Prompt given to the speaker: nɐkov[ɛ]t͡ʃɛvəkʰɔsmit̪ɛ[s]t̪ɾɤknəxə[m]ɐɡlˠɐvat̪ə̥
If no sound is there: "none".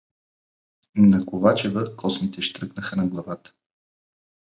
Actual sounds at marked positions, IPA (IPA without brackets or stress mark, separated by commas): a, ʃ, n